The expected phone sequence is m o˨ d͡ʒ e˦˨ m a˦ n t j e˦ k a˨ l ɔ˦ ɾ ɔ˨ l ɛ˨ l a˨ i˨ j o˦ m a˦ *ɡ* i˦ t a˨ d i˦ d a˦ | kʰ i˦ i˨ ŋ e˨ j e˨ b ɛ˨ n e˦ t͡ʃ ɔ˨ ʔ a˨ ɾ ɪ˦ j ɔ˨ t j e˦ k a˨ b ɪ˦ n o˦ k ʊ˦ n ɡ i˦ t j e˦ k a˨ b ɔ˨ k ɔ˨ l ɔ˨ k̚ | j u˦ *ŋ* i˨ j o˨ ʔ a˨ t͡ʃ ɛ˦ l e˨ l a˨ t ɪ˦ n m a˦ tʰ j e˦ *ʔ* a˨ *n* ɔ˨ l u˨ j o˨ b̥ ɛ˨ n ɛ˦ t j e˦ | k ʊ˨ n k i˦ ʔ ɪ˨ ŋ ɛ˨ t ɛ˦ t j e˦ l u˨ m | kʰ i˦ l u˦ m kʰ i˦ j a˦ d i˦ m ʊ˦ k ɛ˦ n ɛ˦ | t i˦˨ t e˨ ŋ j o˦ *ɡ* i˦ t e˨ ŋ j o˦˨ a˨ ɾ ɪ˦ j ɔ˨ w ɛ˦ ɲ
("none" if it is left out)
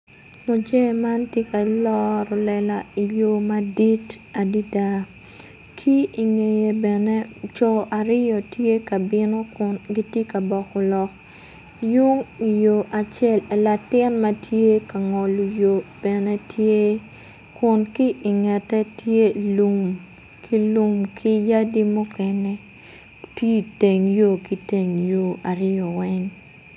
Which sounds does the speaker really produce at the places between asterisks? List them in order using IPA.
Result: d, ŋ, k, ŋ, k

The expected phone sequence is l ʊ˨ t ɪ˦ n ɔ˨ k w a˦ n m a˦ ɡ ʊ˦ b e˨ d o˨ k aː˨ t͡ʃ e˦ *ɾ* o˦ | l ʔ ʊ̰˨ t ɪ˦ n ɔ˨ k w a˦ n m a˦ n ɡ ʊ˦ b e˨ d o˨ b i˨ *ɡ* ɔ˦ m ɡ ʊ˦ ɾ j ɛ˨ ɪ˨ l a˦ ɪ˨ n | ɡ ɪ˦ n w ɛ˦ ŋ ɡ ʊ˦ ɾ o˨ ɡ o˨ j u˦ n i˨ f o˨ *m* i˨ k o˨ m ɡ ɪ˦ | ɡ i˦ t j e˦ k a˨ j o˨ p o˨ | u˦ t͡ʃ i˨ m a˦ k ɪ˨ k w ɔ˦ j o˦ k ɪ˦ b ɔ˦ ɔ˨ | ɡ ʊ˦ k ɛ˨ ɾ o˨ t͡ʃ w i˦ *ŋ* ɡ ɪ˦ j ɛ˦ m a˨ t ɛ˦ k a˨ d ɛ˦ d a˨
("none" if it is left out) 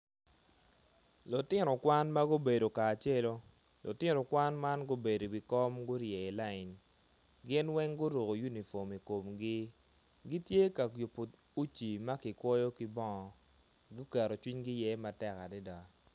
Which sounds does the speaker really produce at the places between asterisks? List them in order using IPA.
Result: l, k, m, ɲ

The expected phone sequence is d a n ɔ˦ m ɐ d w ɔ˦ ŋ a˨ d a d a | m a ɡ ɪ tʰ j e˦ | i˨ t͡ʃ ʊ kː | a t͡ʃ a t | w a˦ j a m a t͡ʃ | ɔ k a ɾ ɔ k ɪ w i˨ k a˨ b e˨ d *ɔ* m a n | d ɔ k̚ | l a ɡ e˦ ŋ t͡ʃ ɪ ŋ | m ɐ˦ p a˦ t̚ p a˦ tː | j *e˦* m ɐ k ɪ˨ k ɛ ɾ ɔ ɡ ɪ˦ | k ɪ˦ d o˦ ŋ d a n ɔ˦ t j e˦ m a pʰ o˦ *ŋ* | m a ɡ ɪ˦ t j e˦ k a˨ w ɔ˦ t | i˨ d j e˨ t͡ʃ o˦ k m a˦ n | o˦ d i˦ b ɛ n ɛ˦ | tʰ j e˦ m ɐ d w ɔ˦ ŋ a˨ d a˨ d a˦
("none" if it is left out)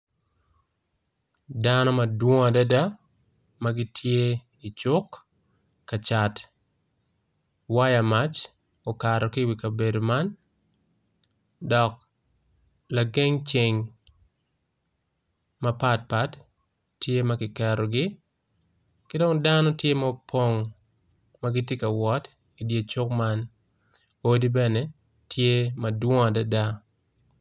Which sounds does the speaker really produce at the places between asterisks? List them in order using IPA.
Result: o, e˦, ŋ

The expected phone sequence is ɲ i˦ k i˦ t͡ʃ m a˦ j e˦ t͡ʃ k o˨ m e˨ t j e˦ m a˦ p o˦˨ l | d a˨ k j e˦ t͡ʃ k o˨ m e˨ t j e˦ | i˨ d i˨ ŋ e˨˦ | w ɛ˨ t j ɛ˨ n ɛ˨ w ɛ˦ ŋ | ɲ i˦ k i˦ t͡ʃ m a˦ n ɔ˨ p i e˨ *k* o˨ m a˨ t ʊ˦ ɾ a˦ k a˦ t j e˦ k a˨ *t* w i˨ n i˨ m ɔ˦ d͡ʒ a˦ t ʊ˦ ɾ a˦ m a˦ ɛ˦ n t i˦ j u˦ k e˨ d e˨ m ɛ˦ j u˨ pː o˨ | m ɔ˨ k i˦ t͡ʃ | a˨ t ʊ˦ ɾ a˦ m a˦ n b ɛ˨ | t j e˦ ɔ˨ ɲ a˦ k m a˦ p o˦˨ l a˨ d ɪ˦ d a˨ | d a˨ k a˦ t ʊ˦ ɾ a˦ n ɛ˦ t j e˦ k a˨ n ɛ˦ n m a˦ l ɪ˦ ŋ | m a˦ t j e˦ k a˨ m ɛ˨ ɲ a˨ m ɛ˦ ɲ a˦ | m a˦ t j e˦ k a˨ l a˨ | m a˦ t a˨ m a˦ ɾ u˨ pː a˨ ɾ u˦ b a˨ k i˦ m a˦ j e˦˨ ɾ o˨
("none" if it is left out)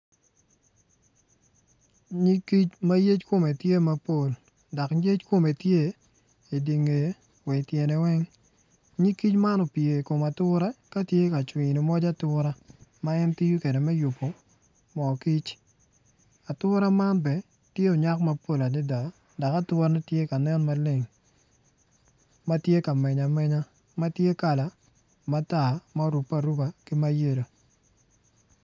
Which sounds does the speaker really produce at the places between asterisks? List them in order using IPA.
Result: k, t͡ʃ

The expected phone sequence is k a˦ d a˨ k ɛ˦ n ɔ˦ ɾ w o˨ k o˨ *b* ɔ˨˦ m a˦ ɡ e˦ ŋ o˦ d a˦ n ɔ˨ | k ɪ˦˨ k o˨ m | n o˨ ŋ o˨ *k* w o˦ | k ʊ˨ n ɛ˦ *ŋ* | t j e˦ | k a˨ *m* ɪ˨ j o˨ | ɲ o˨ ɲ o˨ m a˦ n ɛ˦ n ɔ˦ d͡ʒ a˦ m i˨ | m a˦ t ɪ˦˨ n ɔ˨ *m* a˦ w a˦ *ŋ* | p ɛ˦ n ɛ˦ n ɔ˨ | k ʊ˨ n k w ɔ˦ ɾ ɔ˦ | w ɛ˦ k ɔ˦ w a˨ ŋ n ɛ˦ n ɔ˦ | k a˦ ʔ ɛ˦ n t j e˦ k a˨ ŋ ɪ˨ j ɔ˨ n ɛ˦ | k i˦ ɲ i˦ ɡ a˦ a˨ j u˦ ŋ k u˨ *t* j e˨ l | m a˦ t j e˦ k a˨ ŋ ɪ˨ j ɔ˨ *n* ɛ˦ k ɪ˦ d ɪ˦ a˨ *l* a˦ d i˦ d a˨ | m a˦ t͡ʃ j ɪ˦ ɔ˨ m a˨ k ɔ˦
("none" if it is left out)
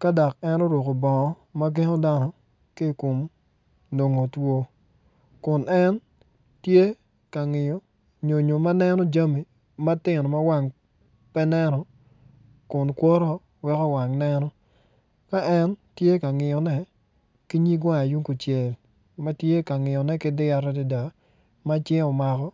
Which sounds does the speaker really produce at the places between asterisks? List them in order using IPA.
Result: b, t, n, ŋ, m, ŋ, t͡ʃ, n, ɾ

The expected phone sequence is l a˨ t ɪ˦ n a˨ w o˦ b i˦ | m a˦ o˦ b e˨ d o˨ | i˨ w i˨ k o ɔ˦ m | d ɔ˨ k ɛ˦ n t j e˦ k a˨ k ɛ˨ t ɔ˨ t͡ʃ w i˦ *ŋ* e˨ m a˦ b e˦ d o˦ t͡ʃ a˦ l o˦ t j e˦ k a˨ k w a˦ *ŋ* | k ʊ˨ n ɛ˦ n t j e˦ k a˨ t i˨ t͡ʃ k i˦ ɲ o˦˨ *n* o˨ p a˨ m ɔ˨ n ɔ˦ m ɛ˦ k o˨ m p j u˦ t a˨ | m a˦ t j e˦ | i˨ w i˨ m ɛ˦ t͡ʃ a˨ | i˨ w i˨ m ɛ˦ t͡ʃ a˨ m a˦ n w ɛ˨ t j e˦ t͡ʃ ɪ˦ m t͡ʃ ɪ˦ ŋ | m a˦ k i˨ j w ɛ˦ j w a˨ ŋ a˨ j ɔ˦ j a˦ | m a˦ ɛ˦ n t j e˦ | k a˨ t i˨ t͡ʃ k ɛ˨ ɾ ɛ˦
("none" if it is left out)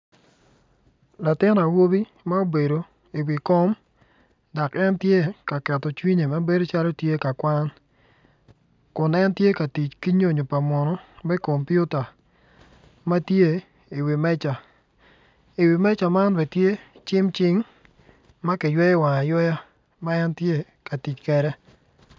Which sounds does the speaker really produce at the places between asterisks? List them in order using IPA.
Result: ɲ, n, ɲ

